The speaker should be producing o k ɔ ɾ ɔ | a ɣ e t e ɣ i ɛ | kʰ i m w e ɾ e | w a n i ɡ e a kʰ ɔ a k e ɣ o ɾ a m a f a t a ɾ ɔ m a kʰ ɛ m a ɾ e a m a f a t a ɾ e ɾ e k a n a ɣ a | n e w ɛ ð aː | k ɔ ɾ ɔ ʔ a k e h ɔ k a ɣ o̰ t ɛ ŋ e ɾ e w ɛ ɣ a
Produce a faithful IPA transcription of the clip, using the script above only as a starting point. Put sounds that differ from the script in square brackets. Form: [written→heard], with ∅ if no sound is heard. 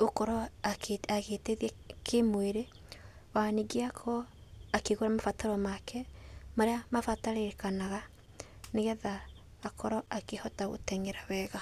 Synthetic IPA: o k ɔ ɾ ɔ | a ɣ e t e [ɣ→ð] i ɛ | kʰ [i→e] m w e ɾ e | w a n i ɡ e a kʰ ɔ a k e ɣ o ɾ a m a f a t a ɾ ɔ m a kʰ ɛ m a ɾ e a m a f a t a ɾ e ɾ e k a n a ɣ a | n e [w→ɣ] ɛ ð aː | k ɔ ɾ ɔ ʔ a k e h ɔ [k→t] a ɣ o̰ t ɛ ŋ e ɾ [e→a] w ɛ ɣ a

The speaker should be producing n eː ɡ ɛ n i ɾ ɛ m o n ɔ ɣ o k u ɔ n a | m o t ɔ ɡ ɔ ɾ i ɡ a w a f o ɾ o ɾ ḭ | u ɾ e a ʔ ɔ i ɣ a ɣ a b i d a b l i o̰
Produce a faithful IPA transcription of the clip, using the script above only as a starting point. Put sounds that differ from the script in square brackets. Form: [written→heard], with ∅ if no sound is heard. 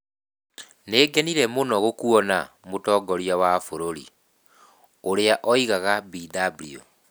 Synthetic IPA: n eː ɡ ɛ n i ɾ ɛ m o n ɔ ɣ o k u ɔ n a | m o t ɔ ɡ ɔ ɾ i [ɡ→∅] a w a f o ɾ o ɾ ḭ | [u→o] ɾ e a ʔ ɔ i ɣ a ɣ a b i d a b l i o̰

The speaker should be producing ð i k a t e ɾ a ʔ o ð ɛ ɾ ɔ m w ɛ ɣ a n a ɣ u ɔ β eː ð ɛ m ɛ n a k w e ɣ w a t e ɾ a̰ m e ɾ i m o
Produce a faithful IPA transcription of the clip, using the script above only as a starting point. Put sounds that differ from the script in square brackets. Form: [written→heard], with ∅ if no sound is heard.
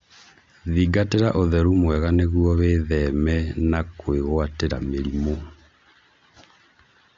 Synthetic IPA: ð i [k→ɡ] a t e ɾ a ʔ o ð ɛ ɾ [ɔ→u] m w ɛ ɣ a n [a→e] ɣ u ɔ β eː ð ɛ m ɛ n a k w e ɣ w a t e ɾ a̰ m e ɾ i m o

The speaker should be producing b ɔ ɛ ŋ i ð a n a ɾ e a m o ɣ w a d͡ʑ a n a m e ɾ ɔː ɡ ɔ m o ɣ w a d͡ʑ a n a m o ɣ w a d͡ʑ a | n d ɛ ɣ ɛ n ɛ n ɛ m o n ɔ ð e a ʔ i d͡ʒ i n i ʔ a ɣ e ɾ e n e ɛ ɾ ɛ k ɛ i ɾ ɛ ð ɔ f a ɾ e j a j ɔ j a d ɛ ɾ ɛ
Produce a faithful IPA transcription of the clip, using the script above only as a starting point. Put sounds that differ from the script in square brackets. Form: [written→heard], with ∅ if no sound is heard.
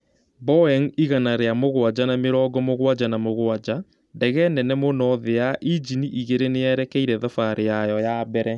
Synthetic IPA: b ɔ ɛ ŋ i [ð→ɣ] a n a ɾ e a m o ɣ w a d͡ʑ a n a m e ɾ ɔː ɡ ɔ m o ɣ w a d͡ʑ a n a m o ɣ w a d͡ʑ a | n d ɛ ɣ ɛ n ɛ n ɛ m o n ɔ ð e a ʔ i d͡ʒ i n i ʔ [a→i] ɣ e ɾ e n e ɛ ɾ ɛ k ɛ i ɾ ɛ ð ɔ f a ɾ e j a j ɔ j a [d→b] ɛ ɾ ɛ

